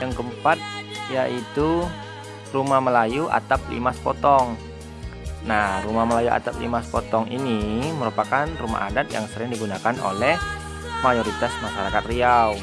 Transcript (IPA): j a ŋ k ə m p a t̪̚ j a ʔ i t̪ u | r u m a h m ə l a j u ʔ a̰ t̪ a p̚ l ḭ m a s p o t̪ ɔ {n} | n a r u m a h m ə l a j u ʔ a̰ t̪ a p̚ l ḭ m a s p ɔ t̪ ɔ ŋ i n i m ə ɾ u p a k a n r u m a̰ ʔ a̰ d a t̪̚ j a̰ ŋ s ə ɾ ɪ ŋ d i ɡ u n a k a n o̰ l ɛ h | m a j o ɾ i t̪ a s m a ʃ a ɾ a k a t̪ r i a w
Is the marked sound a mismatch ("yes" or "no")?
yes